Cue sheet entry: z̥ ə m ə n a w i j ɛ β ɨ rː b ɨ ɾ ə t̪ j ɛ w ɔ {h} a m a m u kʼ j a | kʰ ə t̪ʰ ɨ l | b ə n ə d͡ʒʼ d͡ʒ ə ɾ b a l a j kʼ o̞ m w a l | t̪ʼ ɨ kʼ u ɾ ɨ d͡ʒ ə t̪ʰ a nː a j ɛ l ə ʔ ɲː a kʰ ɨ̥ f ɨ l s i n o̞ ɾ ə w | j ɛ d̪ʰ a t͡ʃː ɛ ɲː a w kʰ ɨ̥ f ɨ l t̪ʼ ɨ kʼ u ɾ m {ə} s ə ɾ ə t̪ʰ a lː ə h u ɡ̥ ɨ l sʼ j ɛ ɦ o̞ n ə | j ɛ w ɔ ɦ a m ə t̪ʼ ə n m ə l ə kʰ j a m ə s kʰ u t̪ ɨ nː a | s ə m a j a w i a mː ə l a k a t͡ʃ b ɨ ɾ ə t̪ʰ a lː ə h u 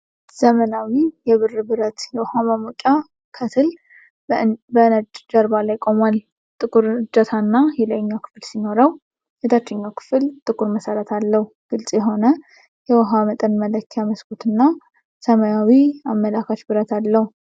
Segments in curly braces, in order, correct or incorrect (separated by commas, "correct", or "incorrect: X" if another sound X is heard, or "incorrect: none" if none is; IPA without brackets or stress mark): correct, correct